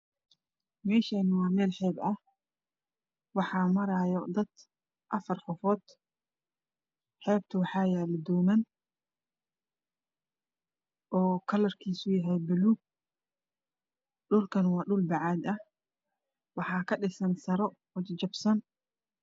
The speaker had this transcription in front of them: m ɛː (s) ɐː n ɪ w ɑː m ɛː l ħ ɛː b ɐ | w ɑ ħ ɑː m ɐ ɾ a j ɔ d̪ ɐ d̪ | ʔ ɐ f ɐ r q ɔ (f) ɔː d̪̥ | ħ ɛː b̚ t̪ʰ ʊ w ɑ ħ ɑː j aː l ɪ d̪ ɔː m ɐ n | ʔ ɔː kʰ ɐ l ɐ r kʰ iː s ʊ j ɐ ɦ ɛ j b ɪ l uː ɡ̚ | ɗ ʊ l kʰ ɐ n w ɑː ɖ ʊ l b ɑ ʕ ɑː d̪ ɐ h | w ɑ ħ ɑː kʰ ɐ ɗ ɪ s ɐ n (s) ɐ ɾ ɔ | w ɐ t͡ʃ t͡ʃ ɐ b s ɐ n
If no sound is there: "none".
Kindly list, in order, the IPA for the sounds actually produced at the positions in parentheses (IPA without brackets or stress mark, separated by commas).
ʃ, f, s